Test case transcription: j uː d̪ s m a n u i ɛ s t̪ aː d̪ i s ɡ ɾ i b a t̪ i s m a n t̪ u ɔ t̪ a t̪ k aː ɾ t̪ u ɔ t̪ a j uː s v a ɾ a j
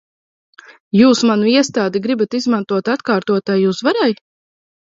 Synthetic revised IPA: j uː s m a n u i ɛ s t̪ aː d̪ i ɡ ɾ i b a t̪ i z m a n t̪ u ɔ t̪ a t̪ k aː ɾ t̪ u ɔ t̪ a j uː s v a ɾ a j